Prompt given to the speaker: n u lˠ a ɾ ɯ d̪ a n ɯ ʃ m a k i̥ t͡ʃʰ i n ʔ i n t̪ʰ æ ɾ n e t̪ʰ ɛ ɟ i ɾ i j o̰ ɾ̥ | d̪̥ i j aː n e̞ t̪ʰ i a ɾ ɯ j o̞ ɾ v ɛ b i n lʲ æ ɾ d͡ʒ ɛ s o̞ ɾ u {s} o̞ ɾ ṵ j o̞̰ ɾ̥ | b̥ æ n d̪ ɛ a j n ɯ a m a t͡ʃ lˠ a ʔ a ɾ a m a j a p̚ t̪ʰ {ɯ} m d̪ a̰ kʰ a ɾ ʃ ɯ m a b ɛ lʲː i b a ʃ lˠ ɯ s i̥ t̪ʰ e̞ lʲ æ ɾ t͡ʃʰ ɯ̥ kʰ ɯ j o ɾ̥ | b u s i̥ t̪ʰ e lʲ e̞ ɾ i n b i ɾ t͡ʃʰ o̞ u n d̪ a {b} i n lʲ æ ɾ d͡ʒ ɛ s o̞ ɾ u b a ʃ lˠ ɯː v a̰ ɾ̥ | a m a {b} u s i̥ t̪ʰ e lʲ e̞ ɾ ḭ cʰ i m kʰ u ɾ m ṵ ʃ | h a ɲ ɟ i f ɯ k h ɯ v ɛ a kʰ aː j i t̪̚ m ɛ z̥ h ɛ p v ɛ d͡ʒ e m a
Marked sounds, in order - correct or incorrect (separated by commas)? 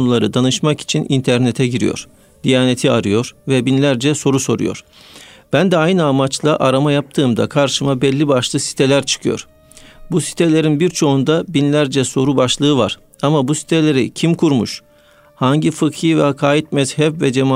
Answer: correct, incorrect, correct, correct